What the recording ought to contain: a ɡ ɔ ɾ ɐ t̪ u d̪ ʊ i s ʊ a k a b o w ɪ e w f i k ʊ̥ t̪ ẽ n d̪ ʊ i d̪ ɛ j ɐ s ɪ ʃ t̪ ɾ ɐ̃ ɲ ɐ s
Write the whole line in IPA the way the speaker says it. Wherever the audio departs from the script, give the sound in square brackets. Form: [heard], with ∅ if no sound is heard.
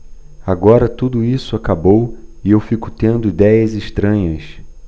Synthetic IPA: a ɡ ɔ ɾ ɐ t̪ u d̪ ʊ i s ʊ a k a b o w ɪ e w f i k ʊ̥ t̪ ẽ n d̪ ʊ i d̪ ɛ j ɐ [z] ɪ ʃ t̪ ɾ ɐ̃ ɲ ɐ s